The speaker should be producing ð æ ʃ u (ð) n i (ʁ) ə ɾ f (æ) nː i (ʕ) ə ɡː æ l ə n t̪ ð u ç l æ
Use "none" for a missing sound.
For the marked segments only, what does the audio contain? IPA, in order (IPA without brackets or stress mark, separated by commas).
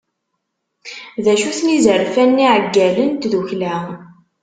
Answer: θ, z, æ, ʕ